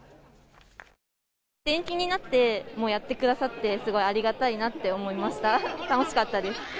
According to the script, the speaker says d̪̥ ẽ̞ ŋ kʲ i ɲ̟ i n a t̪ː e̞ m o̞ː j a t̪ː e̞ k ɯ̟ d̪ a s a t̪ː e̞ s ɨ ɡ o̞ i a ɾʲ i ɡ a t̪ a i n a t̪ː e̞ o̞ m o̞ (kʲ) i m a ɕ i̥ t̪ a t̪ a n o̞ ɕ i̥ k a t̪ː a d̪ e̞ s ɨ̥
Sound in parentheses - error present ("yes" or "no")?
yes